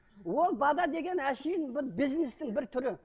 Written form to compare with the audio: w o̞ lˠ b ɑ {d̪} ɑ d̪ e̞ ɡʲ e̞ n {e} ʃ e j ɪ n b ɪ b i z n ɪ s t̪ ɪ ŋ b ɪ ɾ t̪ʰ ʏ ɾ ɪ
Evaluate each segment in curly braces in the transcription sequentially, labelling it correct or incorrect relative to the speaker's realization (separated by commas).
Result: correct, incorrect